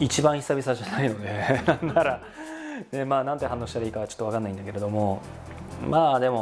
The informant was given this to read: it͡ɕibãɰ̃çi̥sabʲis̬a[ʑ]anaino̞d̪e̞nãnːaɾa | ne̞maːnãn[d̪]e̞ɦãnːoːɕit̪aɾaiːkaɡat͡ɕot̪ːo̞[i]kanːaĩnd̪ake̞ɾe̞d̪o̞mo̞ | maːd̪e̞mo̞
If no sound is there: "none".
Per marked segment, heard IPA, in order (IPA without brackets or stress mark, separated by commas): ʑ, t̪, a